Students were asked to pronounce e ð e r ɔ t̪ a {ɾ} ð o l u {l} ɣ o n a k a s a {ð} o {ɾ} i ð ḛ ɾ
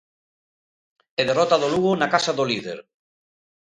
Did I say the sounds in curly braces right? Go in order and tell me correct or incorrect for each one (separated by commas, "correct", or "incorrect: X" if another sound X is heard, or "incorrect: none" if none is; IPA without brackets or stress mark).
incorrect: none, incorrect: none, correct, incorrect: l